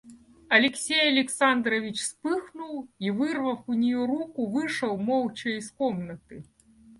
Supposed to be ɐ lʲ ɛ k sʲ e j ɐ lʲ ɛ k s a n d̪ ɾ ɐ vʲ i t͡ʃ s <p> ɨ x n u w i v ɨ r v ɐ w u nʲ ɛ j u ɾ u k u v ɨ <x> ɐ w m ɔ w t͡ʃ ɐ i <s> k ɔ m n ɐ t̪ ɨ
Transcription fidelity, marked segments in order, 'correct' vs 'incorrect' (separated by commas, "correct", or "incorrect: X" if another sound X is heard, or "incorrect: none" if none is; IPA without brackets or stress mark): correct, incorrect: ʂ, correct